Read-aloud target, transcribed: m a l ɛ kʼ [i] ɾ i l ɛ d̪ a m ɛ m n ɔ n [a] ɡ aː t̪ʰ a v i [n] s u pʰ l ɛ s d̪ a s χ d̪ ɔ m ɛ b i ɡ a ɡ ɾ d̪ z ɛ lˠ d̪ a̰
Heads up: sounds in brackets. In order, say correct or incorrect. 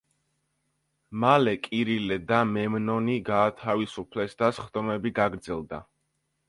correct, incorrect, incorrect

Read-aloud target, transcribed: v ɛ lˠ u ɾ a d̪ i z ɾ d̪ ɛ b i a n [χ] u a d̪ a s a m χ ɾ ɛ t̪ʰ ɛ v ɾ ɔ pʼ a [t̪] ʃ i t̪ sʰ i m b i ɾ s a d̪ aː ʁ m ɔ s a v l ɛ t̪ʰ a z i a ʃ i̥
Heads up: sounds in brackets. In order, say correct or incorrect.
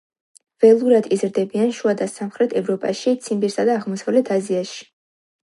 incorrect, incorrect

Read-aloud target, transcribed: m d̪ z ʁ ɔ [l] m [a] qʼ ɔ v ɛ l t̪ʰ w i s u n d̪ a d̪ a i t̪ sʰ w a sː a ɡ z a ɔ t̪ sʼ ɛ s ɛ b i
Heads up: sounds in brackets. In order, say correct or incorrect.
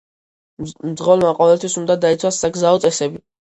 correct, correct

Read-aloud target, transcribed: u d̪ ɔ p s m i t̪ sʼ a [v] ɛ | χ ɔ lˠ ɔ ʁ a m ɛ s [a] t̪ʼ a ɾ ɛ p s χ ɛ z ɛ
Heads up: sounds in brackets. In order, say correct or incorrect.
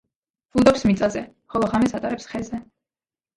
incorrect, correct

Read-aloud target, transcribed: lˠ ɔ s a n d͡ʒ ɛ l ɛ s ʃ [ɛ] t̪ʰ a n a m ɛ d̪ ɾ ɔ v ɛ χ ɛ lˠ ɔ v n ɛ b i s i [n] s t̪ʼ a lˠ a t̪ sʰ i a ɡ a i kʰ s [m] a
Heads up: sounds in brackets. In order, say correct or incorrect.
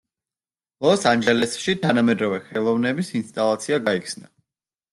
incorrect, correct, incorrect

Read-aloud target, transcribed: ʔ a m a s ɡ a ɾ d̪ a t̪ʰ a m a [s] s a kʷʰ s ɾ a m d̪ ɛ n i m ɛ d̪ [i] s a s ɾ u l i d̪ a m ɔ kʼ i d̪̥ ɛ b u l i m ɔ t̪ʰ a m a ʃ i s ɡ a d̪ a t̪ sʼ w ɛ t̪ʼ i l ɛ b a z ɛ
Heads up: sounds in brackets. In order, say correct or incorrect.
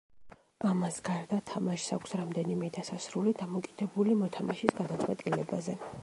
incorrect, incorrect

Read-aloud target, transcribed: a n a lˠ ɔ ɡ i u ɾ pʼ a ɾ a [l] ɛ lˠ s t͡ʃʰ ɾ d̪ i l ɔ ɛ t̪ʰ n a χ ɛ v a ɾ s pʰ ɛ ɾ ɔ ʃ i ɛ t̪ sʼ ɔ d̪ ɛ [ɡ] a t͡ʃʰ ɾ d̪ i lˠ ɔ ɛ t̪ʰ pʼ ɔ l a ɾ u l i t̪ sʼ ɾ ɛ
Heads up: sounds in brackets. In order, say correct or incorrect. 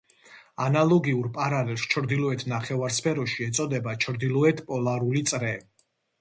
correct, incorrect

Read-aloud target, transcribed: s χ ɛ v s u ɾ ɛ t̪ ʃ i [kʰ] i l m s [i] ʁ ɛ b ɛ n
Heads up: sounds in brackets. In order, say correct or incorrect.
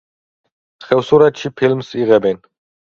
incorrect, correct

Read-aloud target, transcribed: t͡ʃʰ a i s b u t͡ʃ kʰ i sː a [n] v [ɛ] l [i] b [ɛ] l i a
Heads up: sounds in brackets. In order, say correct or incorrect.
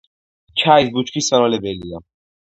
correct, incorrect, incorrect, correct

